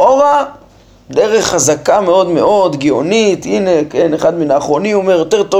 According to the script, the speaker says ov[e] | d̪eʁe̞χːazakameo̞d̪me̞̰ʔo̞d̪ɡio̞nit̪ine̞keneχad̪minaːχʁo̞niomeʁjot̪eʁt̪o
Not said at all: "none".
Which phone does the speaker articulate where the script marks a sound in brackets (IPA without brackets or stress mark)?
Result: a